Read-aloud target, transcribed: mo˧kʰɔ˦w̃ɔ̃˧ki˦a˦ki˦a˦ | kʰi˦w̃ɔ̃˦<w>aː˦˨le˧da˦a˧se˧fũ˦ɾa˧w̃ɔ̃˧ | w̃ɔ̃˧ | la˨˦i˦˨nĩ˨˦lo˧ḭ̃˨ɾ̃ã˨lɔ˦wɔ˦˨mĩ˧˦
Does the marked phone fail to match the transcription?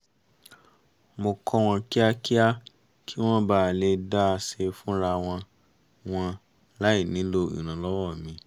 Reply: yes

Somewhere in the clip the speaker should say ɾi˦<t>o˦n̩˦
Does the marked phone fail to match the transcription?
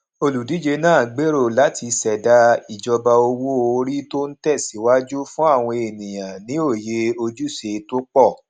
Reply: no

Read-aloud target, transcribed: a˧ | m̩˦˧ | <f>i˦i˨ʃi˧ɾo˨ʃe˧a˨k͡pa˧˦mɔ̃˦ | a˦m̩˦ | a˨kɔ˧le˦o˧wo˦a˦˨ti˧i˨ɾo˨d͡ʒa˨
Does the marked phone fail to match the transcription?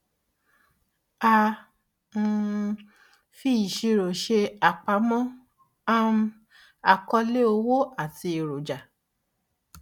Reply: no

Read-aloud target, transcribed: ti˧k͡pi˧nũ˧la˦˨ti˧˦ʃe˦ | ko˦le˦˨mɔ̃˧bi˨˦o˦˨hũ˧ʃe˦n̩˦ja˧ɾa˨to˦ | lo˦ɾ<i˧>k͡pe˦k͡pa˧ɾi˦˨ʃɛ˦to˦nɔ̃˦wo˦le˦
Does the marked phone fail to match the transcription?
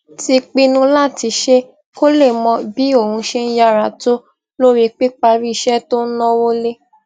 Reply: no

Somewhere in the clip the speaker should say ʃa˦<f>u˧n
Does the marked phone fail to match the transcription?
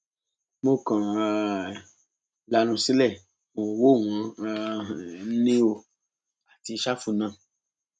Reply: no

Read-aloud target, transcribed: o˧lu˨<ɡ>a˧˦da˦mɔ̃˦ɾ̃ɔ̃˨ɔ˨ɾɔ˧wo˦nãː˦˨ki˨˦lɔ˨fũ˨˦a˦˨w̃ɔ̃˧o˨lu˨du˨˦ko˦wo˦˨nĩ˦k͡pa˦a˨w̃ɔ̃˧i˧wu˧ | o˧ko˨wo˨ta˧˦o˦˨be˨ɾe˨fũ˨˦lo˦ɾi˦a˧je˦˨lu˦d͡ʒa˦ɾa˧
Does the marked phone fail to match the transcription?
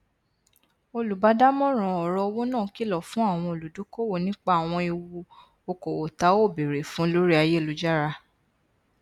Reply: yes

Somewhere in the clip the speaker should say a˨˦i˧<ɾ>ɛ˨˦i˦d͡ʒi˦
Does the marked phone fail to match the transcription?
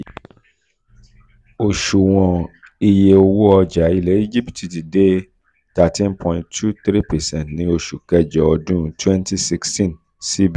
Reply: yes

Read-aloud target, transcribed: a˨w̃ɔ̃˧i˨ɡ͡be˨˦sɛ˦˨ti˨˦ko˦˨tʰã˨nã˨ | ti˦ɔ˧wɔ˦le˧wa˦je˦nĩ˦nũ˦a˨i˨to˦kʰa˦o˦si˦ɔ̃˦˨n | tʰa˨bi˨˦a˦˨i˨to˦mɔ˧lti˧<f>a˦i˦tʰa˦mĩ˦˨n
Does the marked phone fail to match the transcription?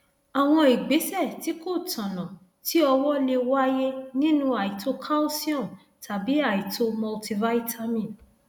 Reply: yes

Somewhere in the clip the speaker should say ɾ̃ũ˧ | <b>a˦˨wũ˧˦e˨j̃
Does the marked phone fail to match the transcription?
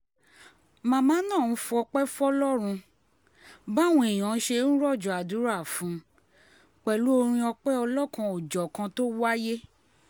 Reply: no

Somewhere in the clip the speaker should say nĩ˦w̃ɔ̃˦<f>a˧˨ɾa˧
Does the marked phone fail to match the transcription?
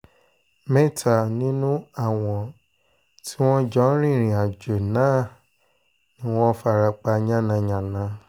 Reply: no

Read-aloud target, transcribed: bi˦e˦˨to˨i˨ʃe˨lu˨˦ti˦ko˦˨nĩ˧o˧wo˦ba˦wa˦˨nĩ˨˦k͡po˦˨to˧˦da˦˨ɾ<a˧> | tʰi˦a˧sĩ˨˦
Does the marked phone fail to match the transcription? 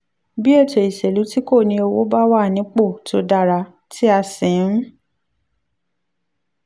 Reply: no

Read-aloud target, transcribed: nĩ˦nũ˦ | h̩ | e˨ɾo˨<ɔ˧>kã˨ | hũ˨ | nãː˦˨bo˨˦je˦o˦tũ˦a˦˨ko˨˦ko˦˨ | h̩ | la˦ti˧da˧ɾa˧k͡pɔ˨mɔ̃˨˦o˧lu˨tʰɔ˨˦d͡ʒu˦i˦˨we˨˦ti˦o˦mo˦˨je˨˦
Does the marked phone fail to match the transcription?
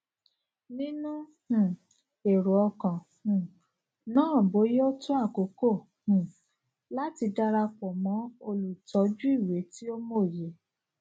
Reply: no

